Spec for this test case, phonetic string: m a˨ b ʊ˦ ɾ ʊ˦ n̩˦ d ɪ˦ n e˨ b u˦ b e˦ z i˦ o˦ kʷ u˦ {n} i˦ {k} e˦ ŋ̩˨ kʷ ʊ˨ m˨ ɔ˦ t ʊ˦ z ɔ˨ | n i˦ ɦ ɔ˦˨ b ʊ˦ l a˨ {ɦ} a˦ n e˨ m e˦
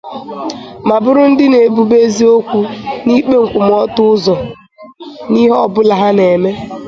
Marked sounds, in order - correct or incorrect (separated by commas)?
correct, incorrect, correct